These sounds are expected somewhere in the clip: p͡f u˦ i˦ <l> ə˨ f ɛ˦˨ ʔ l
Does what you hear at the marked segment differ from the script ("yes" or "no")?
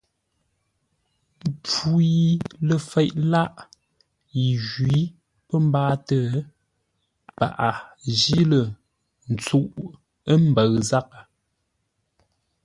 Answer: no